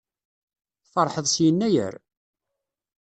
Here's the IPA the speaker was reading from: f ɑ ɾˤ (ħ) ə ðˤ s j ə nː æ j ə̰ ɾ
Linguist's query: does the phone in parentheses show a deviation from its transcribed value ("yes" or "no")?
no